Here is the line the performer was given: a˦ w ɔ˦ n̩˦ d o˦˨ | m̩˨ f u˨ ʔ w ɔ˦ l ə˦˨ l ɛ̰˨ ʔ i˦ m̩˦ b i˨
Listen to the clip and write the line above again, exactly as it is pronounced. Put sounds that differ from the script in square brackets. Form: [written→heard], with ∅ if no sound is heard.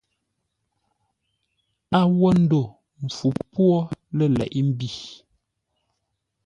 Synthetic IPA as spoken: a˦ w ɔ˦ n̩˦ d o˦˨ | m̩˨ f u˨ [ʔ→p] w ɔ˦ l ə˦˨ l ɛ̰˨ ʔ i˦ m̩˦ b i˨